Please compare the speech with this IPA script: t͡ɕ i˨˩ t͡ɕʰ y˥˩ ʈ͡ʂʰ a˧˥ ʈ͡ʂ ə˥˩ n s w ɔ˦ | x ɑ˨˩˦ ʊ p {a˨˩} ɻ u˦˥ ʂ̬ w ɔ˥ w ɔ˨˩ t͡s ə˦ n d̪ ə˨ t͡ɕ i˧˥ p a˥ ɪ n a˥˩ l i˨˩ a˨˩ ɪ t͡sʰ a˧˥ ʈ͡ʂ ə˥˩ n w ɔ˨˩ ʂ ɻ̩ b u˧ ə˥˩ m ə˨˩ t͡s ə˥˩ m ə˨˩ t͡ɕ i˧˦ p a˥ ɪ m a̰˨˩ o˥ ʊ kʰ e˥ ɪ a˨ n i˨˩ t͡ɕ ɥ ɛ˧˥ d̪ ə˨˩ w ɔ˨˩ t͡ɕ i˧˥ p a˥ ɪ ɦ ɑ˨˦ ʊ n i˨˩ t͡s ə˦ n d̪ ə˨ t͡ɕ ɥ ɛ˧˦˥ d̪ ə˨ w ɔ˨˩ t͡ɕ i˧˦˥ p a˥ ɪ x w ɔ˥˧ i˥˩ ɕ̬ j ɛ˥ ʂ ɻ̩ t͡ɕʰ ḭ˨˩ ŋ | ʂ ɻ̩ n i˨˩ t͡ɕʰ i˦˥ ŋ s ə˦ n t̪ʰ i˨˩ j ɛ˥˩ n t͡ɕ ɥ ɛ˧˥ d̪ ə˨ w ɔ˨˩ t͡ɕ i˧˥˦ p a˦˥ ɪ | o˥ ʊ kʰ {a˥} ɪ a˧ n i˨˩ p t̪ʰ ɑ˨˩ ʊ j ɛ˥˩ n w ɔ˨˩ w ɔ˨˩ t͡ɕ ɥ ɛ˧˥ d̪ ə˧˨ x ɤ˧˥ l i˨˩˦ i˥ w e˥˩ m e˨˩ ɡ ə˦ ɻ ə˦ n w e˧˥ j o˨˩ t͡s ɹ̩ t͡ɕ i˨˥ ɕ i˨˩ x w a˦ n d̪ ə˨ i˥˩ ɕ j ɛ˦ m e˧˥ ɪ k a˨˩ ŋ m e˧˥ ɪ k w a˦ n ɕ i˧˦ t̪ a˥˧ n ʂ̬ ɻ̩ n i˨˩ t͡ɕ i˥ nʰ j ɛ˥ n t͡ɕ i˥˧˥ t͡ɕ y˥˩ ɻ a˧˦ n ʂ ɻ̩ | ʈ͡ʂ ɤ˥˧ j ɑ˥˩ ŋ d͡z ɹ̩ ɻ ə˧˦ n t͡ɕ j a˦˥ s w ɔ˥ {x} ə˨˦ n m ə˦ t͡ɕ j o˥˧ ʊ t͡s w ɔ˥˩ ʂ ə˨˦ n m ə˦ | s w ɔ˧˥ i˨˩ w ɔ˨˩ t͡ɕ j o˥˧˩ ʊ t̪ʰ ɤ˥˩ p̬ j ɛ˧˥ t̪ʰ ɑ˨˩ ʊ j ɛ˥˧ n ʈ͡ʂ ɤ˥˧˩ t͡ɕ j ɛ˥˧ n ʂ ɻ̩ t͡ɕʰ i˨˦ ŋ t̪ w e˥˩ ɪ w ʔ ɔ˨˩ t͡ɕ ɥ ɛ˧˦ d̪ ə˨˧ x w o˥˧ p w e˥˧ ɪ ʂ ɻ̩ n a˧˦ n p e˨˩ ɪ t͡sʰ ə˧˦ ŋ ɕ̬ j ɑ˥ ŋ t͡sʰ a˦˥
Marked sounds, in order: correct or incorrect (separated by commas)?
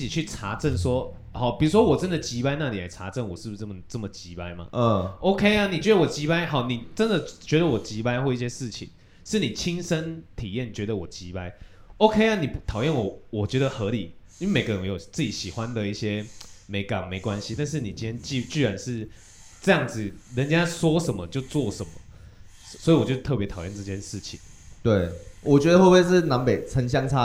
incorrect, incorrect, incorrect